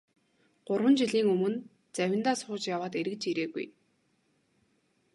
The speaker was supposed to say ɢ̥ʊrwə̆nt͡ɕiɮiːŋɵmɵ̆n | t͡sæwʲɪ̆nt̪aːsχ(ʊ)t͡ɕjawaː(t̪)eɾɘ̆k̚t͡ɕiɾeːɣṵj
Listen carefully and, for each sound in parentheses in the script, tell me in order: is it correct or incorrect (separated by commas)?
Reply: incorrect, correct